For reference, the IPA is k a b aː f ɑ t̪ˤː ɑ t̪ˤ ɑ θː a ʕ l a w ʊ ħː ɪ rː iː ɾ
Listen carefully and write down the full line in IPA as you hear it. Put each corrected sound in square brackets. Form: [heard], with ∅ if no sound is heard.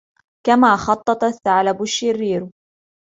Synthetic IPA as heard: k a [m] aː [x] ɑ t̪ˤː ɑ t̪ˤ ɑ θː a ʕ l a [b] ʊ [ʃː] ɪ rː iː ɾ